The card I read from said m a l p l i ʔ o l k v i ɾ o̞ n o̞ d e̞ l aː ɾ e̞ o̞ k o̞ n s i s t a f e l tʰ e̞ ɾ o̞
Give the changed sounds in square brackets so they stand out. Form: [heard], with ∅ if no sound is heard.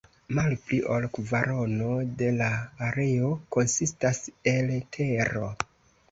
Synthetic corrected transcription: m a l p l i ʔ o l k v [a] ɾ o̞ n o̞ d e̞ l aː ɾ e̞ o̞ k o̞ n s i s t a [s] e l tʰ e̞ ɾ o̞

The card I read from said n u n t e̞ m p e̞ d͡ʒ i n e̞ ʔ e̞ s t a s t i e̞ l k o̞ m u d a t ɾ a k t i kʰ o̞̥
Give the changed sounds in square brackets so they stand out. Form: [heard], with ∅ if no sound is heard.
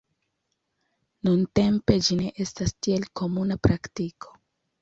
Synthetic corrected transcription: n u n t e̞ m p e̞ d͡ʒ i n e̞ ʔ e̞ s t a s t i e̞ l k o̞ m u [n] a [p] ɾ a k t i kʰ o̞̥

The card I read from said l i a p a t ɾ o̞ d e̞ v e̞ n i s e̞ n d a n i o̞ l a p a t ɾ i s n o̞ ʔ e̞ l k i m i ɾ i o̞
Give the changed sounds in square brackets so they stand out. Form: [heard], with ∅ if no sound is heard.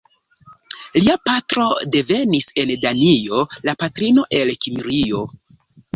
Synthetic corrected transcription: l i a p a t ɾ o̞ d e̞ v e̞ n i s e̞ n d a n i o̞ l a p a t ɾ i [∅] n o̞ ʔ e̞ l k i m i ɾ i o̞

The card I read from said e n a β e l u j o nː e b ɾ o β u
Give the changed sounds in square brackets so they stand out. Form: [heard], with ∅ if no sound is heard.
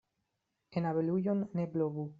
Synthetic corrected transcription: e n a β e l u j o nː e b [l] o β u

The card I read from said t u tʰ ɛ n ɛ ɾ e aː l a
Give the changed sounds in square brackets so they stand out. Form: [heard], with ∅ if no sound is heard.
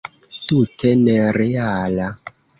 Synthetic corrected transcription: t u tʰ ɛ n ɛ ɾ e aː l a

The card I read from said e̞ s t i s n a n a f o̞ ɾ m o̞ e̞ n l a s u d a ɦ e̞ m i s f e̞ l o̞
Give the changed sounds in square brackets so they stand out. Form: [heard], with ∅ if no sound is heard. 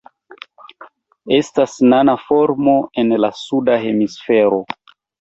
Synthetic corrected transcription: e̞ s t [a] s n a n a f o̞ ɾ m o̞ e̞ n l a s u d a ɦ e̞ m i s f e̞ [ɾ] o̞

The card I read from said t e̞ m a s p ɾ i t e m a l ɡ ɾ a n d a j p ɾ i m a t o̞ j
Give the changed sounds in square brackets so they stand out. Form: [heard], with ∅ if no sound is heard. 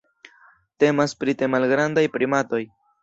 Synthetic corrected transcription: t e̞ m a s p ɾ i t e m a l ɡ ɾ a n d a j p ɾ i m a t o̞ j

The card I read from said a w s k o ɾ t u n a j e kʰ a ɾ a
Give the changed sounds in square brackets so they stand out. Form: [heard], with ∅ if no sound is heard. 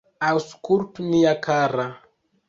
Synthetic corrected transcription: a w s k [u] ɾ t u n [i] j [a] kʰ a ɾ a

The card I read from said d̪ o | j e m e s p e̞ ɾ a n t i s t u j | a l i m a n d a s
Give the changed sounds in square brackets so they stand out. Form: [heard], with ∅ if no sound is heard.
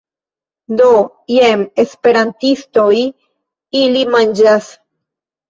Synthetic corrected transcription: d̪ o | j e m e s p e̞ ɾ a n t i s t [o] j | [i] l i m a n [d͡ʒ] a s

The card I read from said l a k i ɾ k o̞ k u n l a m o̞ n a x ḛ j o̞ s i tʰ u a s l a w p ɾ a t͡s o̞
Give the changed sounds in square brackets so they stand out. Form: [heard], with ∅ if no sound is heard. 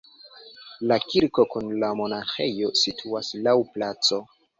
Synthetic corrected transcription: l a k i ɾ k o̞ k u n l a m o̞ n a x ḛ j o̞ s i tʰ u a s l a w p [l] a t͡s o̞

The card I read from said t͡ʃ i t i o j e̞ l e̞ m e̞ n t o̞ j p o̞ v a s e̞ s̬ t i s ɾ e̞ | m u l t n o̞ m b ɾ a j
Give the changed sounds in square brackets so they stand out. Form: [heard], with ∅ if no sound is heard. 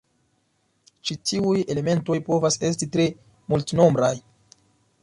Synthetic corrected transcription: t͡ʃ i t i [u] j e̞ l e̞ m e̞ n t o̞ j p o̞ v a s e̞ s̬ t i [t] ɾ e̞ | m u l t n o̞ m b ɾ a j

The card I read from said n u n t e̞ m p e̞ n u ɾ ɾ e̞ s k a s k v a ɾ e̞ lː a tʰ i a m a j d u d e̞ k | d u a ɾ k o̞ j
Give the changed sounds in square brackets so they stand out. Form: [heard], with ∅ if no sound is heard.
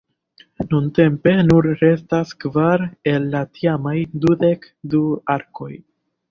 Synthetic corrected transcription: n u n t e̞ m p e̞ n u ɾ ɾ e̞ s [t] a s k v a ɾ e̞ lː a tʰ i a m a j d u d e̞ k | d u a ɾ k o̞ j

